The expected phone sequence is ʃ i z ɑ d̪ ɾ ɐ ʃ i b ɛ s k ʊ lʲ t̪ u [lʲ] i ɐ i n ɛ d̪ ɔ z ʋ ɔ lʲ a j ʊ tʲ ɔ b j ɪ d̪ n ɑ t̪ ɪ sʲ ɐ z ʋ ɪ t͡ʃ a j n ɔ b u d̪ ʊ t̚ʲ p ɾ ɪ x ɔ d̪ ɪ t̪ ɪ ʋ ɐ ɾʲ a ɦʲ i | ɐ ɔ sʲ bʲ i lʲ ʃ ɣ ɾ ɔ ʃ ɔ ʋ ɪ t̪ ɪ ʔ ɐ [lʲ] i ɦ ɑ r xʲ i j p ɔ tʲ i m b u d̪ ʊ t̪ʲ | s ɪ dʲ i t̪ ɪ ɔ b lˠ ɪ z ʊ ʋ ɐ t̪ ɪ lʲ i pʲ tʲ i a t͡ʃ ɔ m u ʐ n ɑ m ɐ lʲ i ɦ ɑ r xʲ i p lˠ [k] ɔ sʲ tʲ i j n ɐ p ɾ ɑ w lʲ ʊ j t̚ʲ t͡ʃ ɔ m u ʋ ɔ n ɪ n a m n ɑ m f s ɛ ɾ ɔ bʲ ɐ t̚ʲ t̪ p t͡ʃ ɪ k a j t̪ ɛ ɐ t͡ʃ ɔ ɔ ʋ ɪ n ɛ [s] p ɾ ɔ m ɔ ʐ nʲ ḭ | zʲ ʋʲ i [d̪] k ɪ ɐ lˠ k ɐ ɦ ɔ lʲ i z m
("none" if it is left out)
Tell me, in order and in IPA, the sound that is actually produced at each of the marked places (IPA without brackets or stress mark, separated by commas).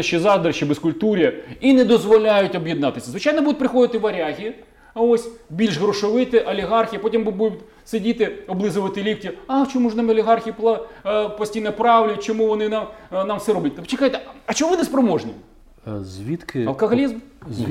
ɾʲ, lʲ, p, s, t̪